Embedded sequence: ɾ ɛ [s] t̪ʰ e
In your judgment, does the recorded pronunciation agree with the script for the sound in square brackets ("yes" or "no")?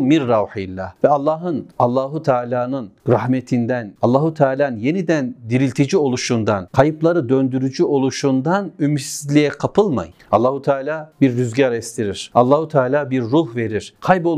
yes